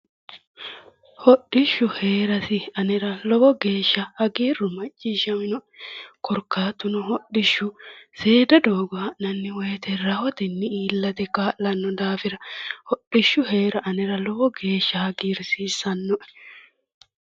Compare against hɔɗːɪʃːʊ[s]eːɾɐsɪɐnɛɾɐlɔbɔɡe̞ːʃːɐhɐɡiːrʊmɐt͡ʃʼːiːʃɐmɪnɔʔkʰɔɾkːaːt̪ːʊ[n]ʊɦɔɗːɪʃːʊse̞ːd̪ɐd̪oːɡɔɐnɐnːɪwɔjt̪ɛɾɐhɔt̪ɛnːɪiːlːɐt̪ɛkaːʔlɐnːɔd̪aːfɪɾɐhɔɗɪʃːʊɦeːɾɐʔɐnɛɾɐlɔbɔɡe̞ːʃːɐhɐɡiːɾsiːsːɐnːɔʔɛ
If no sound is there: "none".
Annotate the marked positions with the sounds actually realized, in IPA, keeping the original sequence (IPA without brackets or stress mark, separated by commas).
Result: h, n